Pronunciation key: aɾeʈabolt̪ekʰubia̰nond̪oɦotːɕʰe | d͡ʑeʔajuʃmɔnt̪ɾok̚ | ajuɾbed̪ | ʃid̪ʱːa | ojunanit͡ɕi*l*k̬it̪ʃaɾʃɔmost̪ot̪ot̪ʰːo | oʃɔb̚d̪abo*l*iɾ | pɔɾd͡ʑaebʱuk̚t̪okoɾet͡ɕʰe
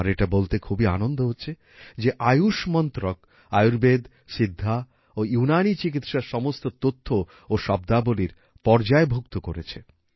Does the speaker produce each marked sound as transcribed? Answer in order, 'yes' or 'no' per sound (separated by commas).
no, yes